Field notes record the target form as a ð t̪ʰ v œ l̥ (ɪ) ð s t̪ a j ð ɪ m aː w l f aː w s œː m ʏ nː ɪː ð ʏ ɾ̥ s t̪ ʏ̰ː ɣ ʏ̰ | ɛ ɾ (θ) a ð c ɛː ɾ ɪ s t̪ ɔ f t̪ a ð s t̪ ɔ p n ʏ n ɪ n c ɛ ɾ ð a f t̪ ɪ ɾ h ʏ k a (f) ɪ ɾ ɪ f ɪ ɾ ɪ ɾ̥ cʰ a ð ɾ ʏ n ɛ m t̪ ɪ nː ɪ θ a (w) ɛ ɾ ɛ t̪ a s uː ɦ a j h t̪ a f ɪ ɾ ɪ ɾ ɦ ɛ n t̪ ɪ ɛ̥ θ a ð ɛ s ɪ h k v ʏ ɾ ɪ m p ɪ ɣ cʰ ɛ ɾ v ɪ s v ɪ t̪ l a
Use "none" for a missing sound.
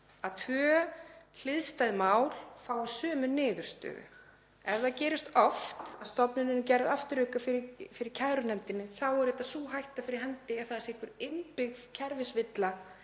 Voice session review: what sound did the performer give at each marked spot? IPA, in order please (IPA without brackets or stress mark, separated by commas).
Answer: ɪ, ð, f, w